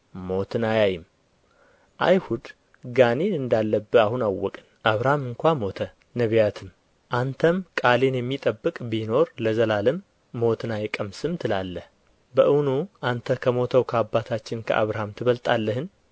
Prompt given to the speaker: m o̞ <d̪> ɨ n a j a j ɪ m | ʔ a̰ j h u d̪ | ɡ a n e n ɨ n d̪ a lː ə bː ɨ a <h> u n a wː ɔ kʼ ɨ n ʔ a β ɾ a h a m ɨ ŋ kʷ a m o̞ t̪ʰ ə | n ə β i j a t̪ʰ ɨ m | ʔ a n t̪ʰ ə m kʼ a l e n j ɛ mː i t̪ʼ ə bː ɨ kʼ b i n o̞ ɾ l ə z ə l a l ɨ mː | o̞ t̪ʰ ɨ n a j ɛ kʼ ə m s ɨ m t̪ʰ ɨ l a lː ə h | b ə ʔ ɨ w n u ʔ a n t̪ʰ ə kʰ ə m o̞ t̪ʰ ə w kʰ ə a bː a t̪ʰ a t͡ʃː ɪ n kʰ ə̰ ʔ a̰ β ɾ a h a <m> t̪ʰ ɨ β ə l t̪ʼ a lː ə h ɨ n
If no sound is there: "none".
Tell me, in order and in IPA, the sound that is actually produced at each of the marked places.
t̪, h, m

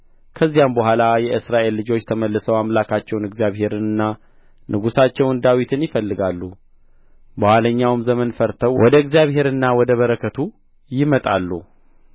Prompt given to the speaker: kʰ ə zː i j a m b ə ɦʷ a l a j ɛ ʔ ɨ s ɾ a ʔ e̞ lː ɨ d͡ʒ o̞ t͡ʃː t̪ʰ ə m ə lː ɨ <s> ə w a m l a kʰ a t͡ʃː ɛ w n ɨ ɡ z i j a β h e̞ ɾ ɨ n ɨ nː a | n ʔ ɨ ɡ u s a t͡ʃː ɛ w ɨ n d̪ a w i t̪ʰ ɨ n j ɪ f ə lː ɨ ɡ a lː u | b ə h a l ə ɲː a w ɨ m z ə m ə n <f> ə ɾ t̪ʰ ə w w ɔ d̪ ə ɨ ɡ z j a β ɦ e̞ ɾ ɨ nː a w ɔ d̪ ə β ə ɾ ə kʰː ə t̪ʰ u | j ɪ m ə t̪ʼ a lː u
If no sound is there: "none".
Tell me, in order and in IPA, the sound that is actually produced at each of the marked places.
s, f

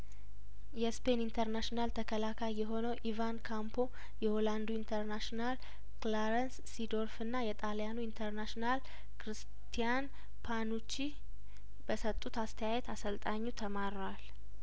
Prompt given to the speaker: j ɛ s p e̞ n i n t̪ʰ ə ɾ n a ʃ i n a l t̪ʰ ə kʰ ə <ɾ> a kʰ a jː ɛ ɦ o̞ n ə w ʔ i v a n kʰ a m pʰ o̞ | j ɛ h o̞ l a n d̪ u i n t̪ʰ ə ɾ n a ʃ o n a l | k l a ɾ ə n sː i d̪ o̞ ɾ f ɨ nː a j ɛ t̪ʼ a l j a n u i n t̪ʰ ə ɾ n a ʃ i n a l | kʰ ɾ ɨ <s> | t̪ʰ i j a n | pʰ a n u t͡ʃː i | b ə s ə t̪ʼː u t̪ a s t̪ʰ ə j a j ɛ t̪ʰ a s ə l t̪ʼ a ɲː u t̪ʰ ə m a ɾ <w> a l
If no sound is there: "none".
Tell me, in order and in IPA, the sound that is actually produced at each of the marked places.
l, s, w

